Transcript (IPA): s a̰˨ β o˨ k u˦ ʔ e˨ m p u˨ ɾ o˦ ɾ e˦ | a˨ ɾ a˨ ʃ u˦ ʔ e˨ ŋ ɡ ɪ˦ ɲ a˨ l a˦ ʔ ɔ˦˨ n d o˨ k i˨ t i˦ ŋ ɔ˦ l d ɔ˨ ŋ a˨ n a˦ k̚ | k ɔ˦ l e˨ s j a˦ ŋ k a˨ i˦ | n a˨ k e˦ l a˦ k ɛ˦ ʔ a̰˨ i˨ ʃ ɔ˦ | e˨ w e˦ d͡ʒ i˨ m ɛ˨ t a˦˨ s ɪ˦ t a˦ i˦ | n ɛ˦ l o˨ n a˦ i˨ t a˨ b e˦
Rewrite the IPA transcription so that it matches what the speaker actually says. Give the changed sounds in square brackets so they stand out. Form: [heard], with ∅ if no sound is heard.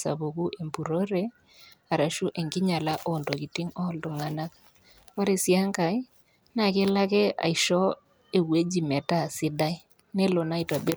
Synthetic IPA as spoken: s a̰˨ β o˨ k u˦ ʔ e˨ m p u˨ ɾ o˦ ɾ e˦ | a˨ ɾ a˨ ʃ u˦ ʔ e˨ ŋ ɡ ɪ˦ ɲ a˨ l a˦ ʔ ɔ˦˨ n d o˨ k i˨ t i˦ ŋ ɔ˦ l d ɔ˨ ŋ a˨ n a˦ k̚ | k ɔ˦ [ɾ] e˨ s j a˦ ŋ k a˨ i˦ | n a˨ k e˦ l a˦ k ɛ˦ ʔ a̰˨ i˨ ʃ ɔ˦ | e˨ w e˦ d͡ʒ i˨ m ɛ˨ t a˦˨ s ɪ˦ [d] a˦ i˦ | n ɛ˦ l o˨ n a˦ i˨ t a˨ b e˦